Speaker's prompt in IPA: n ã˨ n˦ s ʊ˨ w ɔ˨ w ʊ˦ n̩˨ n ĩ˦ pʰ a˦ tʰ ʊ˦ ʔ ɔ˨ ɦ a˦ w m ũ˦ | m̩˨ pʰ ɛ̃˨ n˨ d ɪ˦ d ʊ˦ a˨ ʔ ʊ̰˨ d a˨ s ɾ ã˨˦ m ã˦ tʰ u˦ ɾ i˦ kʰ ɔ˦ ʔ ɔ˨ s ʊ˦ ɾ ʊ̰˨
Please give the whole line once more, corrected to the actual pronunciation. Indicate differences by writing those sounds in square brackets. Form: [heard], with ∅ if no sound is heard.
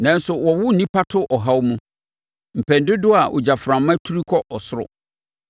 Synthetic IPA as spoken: n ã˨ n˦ s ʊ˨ w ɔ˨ w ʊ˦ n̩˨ n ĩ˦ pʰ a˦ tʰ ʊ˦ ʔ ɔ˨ ɦ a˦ w m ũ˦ | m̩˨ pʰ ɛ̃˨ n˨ d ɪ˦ d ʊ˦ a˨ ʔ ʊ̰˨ [d͡ʑ] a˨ [f] ɾ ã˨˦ m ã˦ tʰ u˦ ɾ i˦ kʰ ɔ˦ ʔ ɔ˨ s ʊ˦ ɾ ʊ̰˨